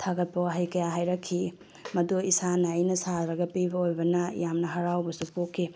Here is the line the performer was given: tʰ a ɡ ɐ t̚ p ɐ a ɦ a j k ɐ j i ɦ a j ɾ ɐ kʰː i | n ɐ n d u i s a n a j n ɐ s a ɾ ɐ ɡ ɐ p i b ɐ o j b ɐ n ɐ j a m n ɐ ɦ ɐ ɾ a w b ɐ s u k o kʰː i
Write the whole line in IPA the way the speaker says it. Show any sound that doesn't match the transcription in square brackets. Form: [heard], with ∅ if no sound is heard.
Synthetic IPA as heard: tʰ a ɡ ɐ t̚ p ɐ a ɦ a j k ɐ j [a] ɦ a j ɾ ɐ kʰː i | [m] ɐ [∅] d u i s a n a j n ɐ s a ɾ ɐ ɡ ɐ p i b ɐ o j b ɐ n ɐ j a m n ɐ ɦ ɐ ɾ a w b ɐ s u [p] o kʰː i